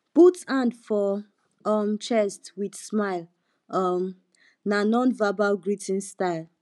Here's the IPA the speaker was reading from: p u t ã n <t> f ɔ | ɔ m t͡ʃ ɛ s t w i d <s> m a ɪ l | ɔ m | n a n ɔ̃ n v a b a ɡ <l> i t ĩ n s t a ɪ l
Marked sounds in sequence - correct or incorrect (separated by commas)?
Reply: incorrect, correct, incorrect